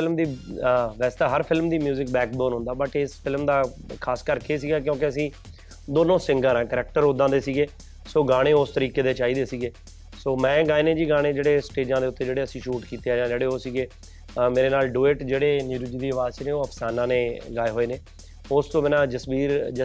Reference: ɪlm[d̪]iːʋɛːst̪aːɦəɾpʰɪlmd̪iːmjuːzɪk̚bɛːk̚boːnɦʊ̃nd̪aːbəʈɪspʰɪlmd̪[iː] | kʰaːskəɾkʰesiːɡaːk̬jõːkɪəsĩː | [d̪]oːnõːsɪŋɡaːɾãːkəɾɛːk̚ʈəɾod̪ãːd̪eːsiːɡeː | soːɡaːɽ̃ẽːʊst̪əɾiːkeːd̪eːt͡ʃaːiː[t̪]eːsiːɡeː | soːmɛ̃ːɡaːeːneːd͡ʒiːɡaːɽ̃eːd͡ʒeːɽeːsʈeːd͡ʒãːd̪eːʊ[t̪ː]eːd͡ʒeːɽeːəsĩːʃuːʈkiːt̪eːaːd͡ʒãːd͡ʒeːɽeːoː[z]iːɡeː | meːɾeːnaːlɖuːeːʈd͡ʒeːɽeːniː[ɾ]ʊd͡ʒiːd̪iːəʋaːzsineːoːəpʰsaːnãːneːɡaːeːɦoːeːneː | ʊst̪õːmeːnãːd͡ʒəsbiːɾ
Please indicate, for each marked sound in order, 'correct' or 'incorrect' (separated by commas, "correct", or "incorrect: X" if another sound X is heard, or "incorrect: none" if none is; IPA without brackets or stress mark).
correct, incorrect: aː, correct, incorrect: d̪, correct, incorrect: s, correct